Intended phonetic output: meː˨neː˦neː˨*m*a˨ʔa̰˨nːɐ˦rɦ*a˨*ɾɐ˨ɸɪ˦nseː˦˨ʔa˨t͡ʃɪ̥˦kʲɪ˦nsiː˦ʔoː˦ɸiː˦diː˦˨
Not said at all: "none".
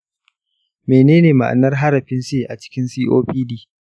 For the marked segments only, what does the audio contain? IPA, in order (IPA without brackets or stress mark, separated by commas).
m, a˦